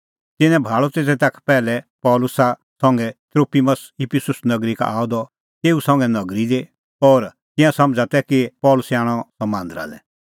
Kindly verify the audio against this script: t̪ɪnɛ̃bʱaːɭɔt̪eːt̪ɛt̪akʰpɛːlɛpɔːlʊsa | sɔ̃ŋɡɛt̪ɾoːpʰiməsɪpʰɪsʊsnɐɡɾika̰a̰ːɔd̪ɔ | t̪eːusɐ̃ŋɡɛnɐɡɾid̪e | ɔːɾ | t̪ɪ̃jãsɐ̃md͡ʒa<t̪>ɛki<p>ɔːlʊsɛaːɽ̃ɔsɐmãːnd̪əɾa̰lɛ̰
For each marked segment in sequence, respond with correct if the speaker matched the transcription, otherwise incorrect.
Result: correct, correct

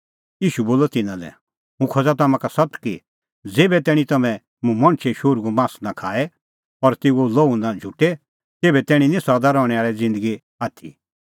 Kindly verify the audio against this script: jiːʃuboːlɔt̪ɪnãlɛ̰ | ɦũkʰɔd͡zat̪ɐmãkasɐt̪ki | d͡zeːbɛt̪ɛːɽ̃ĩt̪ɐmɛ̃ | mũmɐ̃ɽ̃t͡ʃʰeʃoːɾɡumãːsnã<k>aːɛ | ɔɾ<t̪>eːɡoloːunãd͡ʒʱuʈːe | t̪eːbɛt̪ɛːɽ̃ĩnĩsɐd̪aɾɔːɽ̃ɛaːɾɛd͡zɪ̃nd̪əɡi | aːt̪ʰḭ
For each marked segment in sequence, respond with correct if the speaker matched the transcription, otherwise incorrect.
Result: incorrect, correct

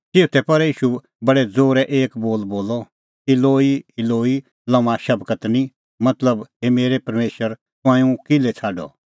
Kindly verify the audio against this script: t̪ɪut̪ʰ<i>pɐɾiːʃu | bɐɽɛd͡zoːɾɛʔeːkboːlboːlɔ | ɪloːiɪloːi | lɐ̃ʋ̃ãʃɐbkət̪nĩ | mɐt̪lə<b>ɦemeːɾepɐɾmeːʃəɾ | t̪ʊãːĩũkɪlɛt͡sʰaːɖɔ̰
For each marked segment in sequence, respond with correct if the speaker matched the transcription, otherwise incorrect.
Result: incorrect, correct

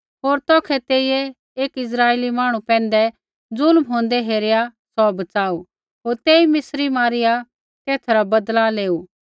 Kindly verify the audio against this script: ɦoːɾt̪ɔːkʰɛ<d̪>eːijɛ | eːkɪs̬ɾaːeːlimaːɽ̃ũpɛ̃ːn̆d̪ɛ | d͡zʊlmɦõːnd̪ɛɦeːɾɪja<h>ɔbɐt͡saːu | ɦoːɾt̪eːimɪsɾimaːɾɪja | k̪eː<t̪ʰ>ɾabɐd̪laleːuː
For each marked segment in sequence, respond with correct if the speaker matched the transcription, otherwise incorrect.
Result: incorrect, incorrect, correct

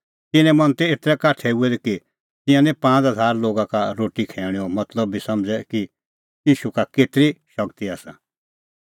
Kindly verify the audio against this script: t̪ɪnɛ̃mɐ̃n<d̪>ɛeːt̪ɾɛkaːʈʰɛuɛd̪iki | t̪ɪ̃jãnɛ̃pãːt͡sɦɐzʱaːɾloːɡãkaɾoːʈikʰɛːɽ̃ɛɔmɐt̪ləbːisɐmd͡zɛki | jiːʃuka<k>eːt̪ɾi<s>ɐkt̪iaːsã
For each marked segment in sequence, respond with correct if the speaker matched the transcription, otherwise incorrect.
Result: incorrect, correct, incorrect

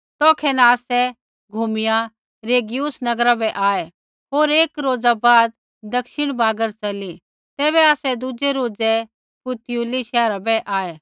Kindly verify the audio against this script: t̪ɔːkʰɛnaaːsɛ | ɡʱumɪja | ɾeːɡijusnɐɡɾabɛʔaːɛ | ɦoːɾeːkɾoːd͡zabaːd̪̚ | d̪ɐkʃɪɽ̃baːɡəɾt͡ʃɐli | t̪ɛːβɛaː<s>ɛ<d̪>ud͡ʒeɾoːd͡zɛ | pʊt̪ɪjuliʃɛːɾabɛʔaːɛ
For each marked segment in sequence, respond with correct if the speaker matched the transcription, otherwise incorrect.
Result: correct, correct

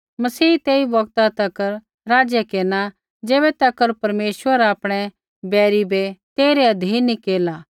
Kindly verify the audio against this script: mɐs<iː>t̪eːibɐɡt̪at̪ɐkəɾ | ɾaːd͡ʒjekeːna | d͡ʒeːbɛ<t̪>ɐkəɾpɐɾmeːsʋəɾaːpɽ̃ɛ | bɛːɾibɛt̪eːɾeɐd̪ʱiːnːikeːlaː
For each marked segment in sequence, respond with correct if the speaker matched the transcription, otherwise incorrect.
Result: correct, correct

